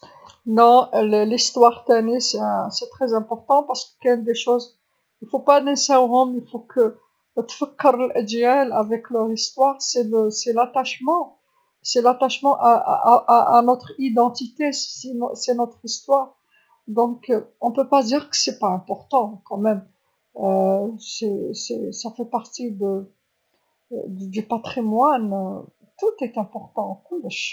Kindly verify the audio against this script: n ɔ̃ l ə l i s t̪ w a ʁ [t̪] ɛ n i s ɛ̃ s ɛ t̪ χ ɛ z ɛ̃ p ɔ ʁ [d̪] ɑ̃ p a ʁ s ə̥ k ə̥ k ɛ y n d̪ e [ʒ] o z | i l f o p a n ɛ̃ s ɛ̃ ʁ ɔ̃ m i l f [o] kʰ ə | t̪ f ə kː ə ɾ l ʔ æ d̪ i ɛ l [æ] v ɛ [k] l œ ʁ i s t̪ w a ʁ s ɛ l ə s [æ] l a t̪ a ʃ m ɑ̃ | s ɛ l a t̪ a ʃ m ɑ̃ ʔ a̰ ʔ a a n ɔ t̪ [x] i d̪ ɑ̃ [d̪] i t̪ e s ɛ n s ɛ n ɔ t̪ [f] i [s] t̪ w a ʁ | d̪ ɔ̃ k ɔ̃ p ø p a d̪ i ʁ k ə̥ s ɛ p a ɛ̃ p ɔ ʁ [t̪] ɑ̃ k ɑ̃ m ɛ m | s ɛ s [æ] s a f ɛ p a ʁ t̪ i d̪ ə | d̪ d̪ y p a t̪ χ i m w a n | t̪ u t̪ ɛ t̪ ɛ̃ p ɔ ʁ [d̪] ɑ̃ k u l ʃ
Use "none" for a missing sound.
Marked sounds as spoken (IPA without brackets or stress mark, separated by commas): t̪, t̪, ʃ, o, a, k, ɛ, χ, t̪, χ, s, t̪, ɛ, t̪